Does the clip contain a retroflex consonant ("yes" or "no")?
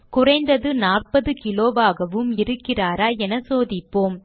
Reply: no